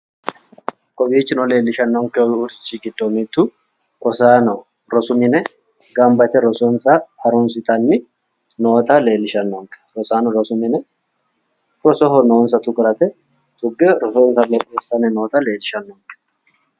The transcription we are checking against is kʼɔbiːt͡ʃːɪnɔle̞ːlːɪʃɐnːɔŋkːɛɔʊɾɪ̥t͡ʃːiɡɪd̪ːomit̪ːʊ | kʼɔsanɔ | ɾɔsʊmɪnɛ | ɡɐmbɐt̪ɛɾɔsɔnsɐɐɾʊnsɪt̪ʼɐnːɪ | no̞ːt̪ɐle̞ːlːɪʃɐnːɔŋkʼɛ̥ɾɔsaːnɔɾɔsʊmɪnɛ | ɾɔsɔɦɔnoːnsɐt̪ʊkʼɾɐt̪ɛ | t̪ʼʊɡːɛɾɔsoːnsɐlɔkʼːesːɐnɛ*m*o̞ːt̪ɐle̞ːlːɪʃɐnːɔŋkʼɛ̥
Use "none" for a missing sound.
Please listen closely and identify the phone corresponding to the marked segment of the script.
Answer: n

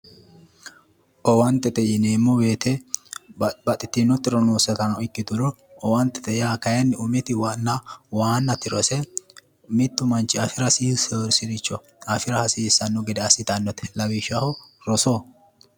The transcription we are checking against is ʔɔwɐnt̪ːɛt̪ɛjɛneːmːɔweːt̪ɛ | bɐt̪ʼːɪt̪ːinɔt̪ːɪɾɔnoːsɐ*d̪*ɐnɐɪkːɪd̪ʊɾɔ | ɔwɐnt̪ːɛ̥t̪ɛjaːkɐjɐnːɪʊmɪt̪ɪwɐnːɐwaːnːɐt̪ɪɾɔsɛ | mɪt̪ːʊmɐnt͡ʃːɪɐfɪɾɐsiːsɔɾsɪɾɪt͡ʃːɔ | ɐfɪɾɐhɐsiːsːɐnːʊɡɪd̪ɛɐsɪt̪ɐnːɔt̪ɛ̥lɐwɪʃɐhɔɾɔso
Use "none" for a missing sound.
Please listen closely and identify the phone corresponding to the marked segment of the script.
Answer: t̪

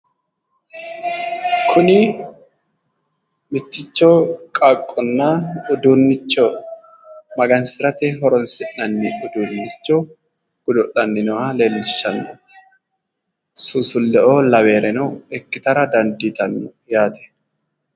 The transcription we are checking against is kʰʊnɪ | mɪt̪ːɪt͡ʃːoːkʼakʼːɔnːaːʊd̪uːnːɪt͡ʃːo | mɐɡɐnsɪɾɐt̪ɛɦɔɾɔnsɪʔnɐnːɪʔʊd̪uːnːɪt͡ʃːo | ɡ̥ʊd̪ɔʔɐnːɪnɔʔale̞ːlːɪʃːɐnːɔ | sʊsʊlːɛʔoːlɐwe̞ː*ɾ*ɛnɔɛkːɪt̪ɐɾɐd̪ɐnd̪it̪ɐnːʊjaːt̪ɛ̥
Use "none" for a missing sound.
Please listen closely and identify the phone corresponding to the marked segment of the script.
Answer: ɾ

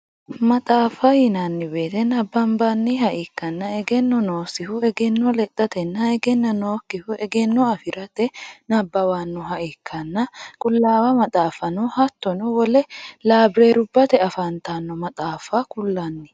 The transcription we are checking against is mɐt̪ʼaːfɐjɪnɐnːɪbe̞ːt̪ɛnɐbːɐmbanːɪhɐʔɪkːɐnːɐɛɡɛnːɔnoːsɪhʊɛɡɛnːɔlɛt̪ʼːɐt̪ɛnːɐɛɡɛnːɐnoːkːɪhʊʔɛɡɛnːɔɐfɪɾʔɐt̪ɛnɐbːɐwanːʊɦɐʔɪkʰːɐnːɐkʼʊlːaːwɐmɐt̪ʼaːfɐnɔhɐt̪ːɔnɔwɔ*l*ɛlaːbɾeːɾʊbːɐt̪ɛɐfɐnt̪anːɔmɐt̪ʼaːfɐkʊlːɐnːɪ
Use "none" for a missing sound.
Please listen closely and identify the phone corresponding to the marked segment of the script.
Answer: l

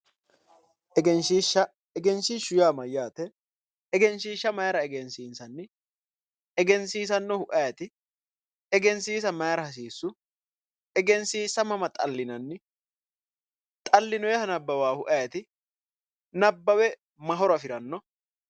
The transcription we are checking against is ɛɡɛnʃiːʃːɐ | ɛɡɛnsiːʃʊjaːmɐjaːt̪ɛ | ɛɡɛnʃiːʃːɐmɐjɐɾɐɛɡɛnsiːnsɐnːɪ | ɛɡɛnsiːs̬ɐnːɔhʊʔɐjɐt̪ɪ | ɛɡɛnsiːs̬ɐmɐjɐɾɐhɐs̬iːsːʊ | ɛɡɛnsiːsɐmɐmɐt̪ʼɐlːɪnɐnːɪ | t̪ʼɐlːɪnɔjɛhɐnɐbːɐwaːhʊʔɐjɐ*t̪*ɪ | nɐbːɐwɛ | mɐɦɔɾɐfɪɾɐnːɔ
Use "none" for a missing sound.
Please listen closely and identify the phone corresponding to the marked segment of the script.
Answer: t̪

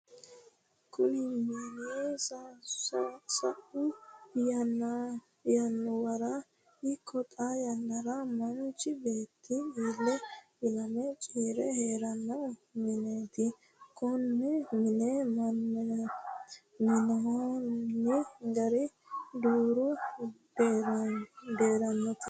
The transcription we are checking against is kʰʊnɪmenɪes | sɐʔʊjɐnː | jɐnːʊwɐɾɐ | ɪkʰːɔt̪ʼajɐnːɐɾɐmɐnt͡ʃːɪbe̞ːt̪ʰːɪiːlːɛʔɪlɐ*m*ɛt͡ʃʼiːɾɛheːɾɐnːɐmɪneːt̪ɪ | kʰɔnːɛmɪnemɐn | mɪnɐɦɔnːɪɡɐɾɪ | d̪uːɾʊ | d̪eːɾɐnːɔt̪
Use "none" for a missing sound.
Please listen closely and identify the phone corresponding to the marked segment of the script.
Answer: m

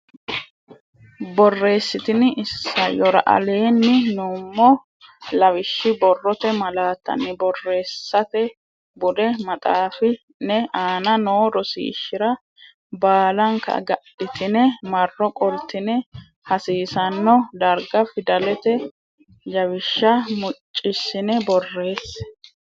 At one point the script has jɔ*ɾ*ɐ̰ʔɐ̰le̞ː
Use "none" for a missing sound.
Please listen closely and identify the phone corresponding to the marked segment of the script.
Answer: ɾ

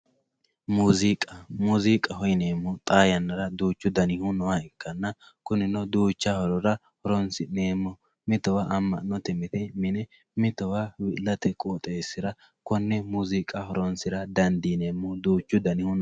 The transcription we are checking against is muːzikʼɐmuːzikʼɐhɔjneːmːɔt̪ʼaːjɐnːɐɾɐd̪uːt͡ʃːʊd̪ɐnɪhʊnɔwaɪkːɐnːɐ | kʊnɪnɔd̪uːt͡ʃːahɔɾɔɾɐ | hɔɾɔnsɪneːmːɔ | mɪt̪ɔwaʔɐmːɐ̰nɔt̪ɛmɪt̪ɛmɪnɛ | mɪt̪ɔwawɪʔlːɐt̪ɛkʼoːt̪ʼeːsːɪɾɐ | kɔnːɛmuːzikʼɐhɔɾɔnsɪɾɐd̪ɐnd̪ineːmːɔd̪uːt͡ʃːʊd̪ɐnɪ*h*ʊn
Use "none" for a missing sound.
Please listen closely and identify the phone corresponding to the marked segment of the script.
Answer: h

